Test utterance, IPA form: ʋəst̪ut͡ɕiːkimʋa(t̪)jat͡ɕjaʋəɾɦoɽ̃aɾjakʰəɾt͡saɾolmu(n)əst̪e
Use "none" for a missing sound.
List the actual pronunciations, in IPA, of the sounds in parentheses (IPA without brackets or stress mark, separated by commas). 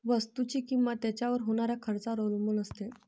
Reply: t̪, n